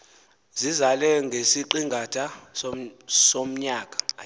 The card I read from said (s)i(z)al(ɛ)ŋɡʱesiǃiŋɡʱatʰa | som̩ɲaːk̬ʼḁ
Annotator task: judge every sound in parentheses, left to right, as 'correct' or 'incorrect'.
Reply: incorrect: z, correct, correct

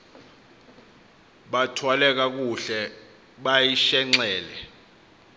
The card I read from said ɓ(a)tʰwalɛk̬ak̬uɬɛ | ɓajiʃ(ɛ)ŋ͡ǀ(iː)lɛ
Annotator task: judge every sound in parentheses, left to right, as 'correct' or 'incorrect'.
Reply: correct, correct, incorrect: ɛː

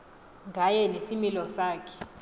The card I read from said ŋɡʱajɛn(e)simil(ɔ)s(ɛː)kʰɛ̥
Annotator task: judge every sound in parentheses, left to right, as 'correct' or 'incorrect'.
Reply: correct, correct, incorrect: aː

